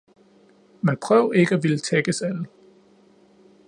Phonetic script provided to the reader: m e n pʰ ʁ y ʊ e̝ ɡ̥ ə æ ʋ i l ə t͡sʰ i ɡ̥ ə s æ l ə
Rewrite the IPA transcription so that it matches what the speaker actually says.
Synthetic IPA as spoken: m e n pʰ ʁ œ ʊ e̝ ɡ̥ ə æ ʋ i l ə t͡sʰ e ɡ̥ ə s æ l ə